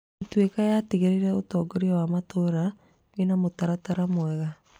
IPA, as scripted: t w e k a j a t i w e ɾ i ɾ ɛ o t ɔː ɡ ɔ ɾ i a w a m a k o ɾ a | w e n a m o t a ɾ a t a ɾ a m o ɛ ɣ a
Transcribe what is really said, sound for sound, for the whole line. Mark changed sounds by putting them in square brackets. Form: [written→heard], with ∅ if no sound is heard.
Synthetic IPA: t w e k a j a t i [w→ɣ] e ɾ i ɾ ɛ o t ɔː ɡ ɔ ɾ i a w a m a [k→t] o ɾ a | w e n a m o t a ɾ a t a ɾ a m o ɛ ɣ a